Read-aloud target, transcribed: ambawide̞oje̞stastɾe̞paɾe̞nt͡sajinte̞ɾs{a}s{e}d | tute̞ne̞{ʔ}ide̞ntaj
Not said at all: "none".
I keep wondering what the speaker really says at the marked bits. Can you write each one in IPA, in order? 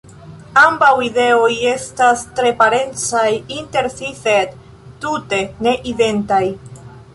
i, e, ʔ

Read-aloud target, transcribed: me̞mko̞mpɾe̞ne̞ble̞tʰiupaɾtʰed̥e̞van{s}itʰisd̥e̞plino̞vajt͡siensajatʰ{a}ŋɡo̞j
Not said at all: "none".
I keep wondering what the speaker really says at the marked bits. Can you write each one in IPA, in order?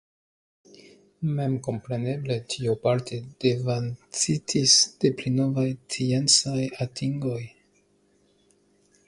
t͡s, i

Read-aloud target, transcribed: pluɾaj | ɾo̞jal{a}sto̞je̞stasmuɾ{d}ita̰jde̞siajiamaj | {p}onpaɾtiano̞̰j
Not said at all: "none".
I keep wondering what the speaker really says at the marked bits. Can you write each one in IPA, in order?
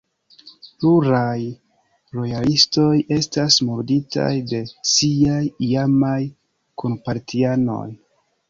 i, d, k

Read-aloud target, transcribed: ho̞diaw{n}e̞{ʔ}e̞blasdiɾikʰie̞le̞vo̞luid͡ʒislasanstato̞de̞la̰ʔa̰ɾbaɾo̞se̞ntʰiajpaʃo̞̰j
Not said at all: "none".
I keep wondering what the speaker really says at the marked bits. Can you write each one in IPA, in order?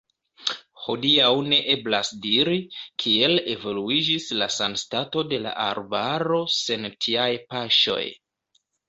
n, ʔ

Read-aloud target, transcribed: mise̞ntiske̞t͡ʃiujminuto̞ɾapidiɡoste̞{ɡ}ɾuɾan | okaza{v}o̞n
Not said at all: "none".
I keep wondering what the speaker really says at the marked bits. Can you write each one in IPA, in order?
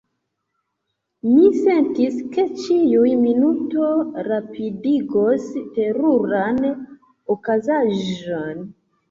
none, ʒ

